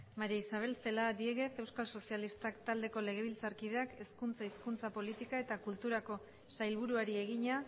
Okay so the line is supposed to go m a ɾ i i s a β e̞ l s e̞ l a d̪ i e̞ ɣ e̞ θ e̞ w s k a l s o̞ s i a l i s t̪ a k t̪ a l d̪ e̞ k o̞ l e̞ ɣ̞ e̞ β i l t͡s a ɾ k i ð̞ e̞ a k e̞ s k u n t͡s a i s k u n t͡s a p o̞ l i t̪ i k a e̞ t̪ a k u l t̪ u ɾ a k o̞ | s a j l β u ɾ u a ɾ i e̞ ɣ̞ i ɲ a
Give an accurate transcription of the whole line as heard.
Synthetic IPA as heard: m a ɾ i i s a β e̞ l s e̞ l a d̪ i e̞ ɣ e̞ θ e̞ w s k a l s o̞ s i a l i s t̪ a k t̪ a l d̪ e̞ k o̞ l e̞ ɣ̞ e̞ β i l t͡s a ɾ k i ð̞ e̞ a k e̞ s k u n t͡s a i s k u n t͡s a p o̞ l i t̪ i k a e̞ t̪ a k u l t̪ u ɾ a k o̞ | s a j l β u ɾ u a ɾ i e̞ ɣ̞ i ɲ a